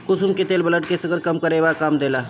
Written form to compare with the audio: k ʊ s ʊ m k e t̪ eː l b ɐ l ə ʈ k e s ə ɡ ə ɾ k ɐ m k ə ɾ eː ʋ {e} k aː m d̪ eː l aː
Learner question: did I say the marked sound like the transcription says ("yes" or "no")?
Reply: no